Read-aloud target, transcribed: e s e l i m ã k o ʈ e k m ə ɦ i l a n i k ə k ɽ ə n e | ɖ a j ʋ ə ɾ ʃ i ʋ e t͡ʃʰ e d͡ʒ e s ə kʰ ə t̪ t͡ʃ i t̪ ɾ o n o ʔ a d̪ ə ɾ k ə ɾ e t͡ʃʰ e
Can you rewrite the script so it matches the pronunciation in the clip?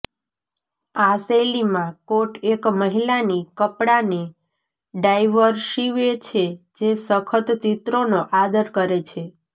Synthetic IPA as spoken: a s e l i m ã k o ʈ e k m ə ɦ i l a n i k ə p ɽ a n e | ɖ a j ʋ ə ɾ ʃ i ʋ e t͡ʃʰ e d͡ʒ e s ə kʰ ə t̪ t͡ʃ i t̪ ɾ o n o ʔ a d̪ ə ɾ k ə ɾ e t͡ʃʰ e